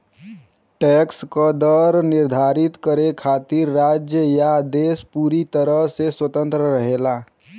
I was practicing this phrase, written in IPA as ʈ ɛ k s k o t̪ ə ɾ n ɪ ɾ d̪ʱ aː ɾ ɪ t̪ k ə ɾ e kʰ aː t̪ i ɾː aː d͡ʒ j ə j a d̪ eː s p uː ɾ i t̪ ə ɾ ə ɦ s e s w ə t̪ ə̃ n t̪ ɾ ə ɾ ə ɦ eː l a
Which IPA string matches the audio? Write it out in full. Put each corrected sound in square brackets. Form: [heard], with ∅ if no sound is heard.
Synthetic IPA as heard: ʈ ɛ k s k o [d̪] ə ɾ n ɪ ɾ d̪ʱ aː ɾ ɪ t̪ k ə ɾ e kʰ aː t̪ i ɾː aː d͡ʒ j ə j a d̪ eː s p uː ɾ i t̪ ə ɾ ə ɦ s e s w ə t̪ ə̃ n t̪ ɾ ə ɾ ə ɦ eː l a